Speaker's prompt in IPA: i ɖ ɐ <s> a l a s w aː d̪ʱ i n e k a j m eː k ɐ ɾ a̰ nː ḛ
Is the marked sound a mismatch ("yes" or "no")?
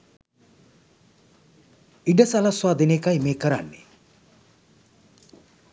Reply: no